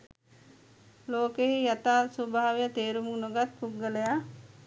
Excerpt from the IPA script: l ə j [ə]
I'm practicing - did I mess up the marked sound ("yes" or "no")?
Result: yes